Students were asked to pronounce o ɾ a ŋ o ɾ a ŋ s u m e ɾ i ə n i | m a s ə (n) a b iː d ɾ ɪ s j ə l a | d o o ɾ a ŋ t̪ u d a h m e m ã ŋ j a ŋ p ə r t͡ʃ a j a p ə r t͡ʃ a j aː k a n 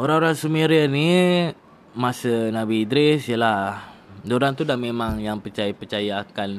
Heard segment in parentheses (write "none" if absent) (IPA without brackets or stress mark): n